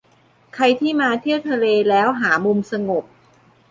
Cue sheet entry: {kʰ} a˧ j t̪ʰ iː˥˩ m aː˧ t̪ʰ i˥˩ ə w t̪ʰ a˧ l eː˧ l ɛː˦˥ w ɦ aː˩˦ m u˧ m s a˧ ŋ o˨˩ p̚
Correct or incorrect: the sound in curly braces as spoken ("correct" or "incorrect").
correct